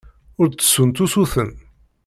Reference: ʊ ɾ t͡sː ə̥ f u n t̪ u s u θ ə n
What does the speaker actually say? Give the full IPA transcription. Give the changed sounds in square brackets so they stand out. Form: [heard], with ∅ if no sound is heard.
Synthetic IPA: ʊ ɾ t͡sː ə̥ [s] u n t̪ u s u θ ə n